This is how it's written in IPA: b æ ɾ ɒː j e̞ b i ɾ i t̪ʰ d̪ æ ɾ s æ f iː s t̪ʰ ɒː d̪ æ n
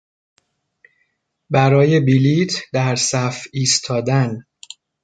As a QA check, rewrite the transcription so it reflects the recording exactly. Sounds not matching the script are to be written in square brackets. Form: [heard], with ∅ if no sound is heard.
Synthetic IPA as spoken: b æ ɾ ɒː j e̞ b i [l] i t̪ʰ d̪ æ ɾ s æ f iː s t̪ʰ ɒː d̪ æ n